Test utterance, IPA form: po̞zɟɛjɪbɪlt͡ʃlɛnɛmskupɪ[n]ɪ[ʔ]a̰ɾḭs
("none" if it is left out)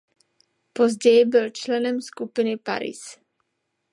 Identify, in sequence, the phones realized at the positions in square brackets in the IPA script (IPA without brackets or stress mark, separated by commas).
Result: n, p